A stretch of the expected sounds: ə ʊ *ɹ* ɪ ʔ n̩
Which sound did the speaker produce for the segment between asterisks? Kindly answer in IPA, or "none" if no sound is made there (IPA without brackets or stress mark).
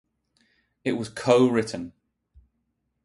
ɹ